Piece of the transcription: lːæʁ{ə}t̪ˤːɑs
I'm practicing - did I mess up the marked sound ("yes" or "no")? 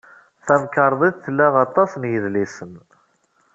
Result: yes